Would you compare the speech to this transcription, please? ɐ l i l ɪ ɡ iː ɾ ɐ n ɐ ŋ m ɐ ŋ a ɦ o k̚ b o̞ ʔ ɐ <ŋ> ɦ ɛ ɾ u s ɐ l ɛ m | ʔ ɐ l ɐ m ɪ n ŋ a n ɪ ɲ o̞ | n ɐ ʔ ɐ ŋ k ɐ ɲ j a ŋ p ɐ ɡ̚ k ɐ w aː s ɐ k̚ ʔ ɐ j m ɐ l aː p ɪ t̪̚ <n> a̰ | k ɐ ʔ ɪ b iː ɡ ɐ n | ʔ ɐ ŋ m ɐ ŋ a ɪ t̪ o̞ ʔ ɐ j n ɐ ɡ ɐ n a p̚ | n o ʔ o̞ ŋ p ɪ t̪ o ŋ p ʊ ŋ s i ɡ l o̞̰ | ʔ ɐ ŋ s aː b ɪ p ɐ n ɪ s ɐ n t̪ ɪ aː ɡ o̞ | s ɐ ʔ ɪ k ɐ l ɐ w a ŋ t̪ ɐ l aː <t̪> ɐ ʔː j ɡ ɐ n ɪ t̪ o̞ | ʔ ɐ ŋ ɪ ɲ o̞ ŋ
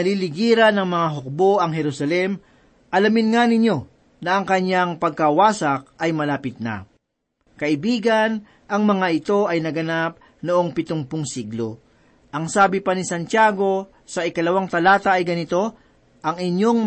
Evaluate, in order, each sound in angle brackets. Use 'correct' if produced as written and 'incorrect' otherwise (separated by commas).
correct, correct, correct